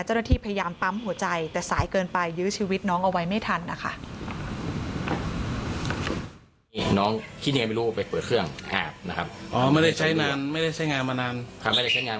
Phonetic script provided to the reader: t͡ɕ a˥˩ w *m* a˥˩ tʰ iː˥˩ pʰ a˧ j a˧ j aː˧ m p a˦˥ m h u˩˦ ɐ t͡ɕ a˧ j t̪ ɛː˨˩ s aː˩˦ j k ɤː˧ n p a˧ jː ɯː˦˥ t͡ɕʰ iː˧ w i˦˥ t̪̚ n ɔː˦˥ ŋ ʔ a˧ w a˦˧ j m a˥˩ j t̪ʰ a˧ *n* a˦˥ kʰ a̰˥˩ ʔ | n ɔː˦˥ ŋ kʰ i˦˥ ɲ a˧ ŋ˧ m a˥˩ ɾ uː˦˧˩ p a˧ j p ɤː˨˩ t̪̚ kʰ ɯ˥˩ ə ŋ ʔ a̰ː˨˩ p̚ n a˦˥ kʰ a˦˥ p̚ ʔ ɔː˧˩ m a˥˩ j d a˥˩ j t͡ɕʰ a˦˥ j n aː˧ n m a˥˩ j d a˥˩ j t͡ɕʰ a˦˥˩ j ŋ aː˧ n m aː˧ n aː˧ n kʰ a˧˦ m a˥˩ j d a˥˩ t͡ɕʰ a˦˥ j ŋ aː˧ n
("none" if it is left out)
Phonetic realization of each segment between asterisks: n, nː

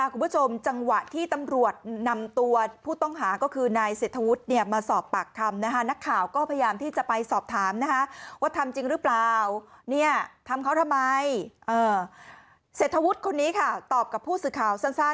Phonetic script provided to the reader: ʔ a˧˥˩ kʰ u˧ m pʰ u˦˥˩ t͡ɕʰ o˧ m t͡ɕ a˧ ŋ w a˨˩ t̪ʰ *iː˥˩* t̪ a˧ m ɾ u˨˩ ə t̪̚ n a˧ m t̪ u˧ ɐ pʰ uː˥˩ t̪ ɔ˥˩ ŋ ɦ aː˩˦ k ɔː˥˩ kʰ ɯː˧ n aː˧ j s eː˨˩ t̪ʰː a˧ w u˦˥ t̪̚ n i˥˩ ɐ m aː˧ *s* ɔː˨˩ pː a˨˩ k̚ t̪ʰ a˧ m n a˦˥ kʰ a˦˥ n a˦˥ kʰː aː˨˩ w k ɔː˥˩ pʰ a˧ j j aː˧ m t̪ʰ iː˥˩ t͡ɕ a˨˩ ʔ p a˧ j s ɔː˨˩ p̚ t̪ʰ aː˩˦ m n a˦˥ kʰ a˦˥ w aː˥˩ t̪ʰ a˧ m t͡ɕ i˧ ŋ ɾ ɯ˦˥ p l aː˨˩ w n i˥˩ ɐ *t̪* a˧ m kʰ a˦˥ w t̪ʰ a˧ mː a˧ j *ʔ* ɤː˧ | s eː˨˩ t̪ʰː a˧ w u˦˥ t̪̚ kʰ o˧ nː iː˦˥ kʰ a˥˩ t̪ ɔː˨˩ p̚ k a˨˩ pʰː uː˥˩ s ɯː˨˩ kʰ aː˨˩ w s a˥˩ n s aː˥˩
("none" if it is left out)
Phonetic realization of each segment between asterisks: iː˥˩, s, t̪ʰ, ʔ

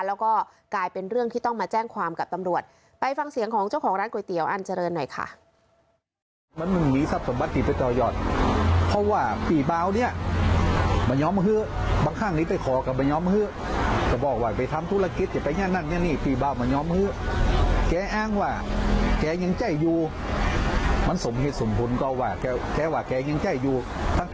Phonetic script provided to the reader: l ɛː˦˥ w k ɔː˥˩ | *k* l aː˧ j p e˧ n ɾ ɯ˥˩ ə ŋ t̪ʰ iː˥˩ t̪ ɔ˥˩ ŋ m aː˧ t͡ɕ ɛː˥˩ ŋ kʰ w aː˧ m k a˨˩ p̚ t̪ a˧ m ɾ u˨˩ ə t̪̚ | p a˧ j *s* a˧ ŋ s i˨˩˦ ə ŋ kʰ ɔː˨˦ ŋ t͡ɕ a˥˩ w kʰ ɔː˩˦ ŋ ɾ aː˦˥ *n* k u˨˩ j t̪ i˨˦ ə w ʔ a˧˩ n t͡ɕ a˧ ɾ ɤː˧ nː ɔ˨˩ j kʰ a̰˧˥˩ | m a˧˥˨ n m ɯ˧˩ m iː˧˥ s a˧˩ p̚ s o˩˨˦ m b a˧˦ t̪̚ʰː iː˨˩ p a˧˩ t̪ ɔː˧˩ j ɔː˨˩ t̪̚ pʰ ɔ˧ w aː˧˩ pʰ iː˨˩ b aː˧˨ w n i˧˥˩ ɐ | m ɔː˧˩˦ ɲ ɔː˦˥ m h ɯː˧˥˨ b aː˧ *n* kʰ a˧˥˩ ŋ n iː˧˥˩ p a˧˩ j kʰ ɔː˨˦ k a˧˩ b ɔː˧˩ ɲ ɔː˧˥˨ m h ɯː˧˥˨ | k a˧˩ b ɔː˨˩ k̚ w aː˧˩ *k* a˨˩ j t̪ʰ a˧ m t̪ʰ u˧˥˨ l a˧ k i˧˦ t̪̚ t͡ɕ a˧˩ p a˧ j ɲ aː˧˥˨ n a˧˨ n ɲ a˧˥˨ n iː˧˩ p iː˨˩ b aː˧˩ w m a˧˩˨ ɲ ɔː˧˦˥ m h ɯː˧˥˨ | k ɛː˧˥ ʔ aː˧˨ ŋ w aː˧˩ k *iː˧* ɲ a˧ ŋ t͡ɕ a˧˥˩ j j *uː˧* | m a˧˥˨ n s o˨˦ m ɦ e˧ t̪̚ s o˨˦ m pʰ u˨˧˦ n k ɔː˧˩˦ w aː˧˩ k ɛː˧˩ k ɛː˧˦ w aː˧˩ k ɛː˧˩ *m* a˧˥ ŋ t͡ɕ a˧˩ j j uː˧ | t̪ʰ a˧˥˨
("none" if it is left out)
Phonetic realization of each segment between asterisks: k, f, n, ŋ, p, ɛː˧, uː˧, ɲ

